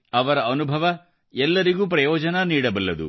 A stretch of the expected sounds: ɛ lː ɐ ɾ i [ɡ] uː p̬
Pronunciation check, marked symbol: correct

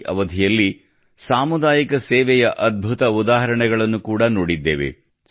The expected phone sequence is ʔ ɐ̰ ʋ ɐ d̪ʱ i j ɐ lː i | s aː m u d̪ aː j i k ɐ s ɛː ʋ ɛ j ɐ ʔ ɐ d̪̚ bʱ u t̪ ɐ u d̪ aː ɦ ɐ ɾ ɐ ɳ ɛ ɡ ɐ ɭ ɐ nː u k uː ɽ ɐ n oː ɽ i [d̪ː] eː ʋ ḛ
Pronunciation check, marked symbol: correct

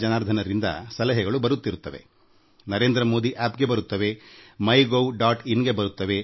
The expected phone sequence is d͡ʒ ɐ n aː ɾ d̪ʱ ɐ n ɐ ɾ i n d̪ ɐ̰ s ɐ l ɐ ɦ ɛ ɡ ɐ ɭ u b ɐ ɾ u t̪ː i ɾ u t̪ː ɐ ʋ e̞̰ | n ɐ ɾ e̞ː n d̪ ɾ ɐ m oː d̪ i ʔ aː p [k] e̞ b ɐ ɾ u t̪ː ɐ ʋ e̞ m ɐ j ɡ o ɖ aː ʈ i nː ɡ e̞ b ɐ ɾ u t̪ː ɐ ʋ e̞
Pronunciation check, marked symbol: incorrect: ɡ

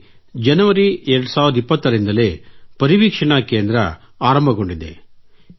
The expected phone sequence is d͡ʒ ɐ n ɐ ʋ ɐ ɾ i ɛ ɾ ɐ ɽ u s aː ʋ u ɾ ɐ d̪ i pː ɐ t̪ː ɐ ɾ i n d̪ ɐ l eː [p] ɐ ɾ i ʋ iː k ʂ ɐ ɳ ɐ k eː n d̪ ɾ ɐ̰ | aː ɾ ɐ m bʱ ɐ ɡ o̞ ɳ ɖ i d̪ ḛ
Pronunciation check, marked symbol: correct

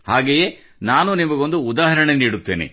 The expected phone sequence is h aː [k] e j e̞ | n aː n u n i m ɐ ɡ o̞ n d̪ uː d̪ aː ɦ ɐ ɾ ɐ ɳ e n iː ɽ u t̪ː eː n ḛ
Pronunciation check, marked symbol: incorrect: ɡ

